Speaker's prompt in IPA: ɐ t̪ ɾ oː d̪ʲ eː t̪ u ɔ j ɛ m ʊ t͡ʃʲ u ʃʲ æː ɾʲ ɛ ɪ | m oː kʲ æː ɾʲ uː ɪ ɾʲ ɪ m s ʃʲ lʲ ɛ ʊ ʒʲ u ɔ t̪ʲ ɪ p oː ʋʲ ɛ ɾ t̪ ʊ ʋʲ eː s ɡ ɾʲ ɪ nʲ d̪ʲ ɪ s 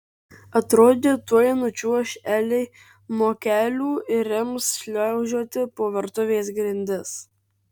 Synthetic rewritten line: ɐ t̪ ɾ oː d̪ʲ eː t̪ u ɔ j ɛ n ʊ t͡ʃʲ u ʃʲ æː lʲ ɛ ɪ | m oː kʲ æː lʲ uː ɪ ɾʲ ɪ m s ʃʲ lʲ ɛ ʊ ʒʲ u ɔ t̪ʲ ɪ p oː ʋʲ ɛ ɾ t̪ ʊ ʋʲ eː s ɡ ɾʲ ɪ nʲ d̪ʲ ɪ s